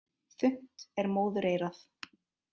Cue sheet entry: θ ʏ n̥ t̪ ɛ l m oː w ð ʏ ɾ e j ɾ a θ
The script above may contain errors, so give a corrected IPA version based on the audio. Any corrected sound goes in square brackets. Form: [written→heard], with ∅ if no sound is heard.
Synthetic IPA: θ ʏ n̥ t̪ ɛ [l→ɾ] m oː w ð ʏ ɾ e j ɾ a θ

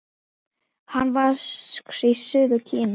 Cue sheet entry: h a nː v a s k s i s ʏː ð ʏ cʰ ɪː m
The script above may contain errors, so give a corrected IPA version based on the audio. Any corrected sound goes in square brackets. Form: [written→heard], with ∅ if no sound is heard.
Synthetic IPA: h a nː v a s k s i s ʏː ð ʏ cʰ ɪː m

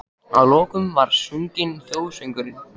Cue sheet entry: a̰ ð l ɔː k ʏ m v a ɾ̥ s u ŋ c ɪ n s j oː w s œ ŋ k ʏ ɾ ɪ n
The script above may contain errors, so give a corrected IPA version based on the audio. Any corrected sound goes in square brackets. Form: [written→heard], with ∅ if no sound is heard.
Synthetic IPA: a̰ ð l ɔː k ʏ m v a ɾ̥ s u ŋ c ɪ n [s→θ] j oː w s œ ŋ k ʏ ɾ ɪ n

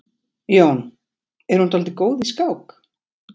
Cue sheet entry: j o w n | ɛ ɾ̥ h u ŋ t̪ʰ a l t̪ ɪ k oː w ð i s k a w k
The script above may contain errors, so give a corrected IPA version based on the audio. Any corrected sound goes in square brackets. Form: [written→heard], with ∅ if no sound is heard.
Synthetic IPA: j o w n | ɛ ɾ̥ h u [ŋ→n] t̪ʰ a l t̪ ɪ k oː w ð i s k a w k

